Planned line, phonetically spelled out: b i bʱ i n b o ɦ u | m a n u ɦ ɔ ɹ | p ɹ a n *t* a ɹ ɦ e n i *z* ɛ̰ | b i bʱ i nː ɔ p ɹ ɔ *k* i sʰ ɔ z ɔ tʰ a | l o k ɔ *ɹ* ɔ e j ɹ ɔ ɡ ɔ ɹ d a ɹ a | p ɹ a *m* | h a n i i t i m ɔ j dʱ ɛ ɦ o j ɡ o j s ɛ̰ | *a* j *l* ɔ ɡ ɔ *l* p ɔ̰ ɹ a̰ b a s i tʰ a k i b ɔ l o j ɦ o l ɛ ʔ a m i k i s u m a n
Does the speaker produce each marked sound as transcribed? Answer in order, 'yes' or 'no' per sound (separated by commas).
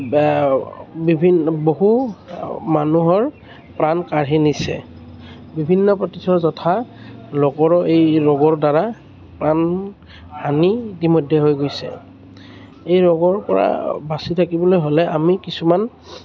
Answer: no, no, no, yes, no, no, no, no